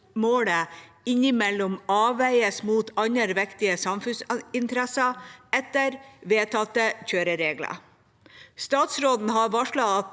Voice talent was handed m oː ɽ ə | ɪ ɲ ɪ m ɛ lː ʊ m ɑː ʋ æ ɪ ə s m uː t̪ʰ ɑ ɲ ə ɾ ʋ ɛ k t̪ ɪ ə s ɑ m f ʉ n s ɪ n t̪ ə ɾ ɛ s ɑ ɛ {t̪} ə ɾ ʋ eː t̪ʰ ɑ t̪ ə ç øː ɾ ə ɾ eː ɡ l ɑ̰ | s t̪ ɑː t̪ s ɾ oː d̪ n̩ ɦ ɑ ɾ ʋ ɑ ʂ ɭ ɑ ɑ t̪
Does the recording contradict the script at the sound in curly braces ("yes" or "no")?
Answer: no